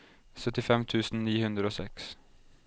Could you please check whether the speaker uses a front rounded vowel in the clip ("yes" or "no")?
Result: yes